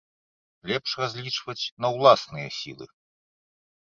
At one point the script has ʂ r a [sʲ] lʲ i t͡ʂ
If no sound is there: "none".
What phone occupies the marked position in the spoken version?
zʲ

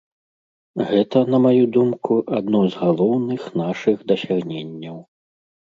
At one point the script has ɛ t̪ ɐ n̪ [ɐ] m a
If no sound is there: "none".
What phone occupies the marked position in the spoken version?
ɐ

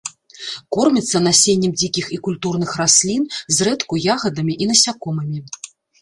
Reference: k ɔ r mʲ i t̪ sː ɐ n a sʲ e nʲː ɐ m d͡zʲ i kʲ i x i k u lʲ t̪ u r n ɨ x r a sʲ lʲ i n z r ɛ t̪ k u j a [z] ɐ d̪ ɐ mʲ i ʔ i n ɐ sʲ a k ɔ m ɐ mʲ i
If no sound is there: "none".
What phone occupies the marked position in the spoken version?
ɣ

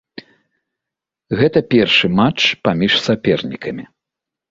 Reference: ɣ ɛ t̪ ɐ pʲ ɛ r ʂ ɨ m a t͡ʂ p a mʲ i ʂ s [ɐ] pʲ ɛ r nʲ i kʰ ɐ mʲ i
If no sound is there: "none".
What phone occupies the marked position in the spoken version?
a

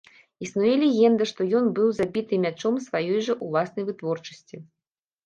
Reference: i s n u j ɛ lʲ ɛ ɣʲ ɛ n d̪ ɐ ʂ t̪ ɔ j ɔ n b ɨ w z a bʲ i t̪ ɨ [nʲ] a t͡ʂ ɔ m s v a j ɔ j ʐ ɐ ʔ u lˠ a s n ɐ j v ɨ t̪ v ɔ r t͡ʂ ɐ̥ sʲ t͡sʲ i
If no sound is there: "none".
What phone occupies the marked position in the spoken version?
mʲ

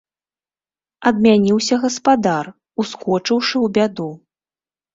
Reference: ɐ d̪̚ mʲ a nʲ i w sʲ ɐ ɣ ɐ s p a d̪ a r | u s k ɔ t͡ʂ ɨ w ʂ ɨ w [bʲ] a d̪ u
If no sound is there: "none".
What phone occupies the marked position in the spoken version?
bʲ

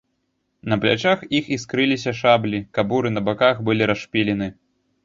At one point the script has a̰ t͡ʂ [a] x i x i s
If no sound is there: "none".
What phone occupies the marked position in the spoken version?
a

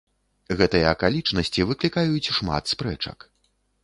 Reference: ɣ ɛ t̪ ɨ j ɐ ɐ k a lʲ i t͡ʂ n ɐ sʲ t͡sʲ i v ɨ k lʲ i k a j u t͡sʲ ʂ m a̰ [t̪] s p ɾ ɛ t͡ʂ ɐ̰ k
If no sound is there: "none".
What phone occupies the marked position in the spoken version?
t̪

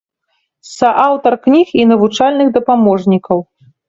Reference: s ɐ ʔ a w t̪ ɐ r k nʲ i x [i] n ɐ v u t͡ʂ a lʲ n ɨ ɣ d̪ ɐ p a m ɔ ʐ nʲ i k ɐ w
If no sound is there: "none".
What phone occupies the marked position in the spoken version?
i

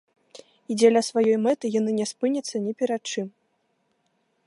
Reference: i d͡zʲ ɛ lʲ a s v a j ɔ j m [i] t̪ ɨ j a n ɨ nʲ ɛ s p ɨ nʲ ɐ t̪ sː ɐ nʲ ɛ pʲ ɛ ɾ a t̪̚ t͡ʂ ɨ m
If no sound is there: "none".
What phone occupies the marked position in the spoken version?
ɛ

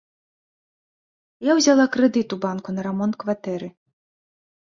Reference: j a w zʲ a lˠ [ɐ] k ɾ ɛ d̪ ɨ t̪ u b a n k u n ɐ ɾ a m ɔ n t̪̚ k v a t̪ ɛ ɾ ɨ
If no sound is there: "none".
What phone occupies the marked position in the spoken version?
a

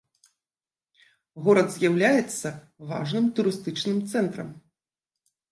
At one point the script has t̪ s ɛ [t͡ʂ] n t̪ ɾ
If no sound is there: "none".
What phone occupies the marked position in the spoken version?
none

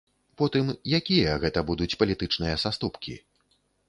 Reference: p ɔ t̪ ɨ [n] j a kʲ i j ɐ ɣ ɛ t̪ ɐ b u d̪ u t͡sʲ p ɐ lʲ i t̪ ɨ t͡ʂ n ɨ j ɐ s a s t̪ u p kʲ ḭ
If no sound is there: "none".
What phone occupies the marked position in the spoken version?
m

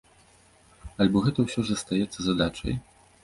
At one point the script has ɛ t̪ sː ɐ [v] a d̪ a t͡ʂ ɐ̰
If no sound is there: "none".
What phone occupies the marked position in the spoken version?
z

